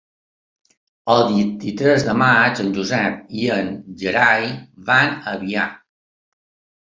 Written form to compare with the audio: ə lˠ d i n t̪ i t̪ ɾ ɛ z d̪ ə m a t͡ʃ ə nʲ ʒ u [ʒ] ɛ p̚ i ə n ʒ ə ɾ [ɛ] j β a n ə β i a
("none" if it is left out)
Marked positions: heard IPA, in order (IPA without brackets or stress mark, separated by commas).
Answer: z, a